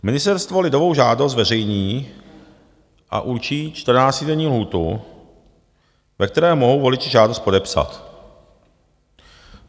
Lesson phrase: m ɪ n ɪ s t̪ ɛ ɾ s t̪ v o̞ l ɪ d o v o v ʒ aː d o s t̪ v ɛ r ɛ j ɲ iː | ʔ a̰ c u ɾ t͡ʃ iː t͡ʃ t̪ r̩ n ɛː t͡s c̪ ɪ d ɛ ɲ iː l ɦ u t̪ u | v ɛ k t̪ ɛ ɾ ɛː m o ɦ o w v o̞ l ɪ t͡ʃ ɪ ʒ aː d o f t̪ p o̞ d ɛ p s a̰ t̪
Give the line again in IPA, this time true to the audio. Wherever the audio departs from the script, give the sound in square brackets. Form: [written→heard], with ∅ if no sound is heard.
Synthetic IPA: m ɪ n ɪ s t̪ ɛ ɾ s t̪ v o̞ l ɪ d o v o [v→w] ʒ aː d o s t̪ v ɛ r ɛ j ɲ iː | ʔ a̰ [c→ʔ] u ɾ t͡ʃ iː t͡ʃ t̪ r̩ n [ɛː→aː] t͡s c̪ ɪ d ɛ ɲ iː l ɦ [u→uː] t̪ u | v ɛ k t̪ ɛ ɾ ɛː m o ɦ o w v o̞ l ɪ t͡ʃ ɪ ʒ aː d o [f→s] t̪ p o̞ d ɛ p s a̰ t̪